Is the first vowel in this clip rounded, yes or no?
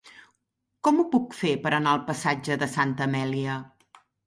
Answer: yes